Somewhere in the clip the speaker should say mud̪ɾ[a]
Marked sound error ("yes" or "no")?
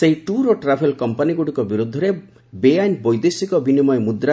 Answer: no